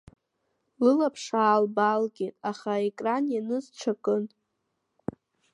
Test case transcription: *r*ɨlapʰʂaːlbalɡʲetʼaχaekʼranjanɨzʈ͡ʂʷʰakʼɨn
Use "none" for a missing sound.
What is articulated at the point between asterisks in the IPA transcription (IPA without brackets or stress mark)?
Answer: l